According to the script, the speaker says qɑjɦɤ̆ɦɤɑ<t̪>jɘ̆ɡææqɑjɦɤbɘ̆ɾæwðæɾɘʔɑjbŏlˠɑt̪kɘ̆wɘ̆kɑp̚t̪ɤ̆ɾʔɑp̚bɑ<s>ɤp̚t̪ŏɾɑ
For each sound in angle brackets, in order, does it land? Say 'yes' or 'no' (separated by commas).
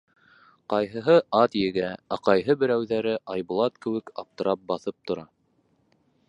yes, no